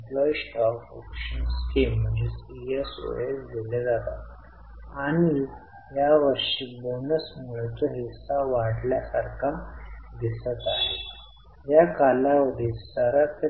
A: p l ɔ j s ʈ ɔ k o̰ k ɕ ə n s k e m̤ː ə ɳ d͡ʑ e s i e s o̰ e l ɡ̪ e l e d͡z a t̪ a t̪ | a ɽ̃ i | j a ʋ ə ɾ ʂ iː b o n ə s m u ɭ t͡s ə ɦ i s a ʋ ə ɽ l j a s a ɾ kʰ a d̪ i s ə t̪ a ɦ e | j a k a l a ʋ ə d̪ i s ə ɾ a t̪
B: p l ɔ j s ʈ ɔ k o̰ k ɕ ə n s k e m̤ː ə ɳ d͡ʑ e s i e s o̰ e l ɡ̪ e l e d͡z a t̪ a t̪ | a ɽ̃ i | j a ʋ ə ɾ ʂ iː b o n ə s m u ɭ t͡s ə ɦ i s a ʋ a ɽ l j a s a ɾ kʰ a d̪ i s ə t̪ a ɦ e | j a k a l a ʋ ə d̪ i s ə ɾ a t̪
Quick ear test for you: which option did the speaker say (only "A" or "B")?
B